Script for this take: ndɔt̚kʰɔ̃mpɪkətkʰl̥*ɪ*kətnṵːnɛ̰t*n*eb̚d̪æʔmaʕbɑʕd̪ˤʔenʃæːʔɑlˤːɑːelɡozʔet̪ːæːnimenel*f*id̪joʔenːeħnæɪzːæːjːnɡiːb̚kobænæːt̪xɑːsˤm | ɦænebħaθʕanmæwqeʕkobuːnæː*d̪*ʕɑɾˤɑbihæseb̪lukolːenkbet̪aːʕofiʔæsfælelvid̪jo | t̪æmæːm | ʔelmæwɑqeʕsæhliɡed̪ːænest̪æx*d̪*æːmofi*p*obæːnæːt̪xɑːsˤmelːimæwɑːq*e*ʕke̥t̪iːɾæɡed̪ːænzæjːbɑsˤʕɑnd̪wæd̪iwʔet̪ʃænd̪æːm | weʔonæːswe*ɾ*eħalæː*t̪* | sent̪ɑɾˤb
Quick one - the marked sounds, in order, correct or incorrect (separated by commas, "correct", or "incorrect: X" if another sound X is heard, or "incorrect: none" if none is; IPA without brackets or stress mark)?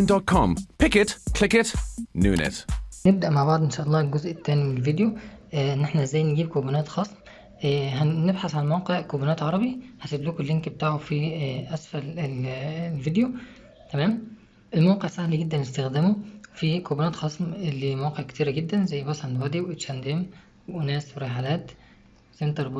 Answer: correct, correct, incorrect: v, incorrect: t̪, correct, incorrect: k, correct, correct, correct